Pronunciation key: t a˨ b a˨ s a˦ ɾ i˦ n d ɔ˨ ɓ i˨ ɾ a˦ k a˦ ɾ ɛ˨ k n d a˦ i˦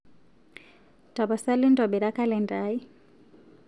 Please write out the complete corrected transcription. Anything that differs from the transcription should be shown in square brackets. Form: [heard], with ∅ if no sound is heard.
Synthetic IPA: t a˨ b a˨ s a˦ [l] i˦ n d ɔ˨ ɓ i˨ ɾ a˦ k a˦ [l] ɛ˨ [∅] n d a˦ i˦